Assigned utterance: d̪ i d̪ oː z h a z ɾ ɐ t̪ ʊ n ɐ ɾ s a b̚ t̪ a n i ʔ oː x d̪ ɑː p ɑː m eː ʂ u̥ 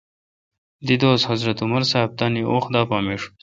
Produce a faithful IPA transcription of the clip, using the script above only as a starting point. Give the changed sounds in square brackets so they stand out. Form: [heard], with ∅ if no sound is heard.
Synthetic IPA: d̪ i d̪ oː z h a z ɾ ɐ t̪ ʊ [m] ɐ ɾ s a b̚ t̪ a n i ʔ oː x d̪ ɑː p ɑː m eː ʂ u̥